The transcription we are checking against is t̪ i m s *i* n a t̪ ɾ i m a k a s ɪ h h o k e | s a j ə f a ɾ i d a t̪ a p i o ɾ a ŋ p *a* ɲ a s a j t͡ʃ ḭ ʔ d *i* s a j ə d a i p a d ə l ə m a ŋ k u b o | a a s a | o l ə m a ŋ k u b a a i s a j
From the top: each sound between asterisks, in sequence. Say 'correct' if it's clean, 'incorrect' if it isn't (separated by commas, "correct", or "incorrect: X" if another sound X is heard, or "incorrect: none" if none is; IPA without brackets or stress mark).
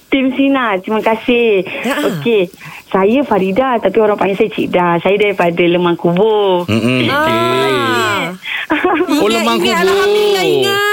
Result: correct, correct, incorrect: a